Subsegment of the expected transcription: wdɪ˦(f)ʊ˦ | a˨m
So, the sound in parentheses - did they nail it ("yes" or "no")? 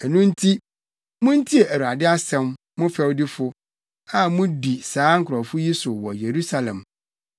yes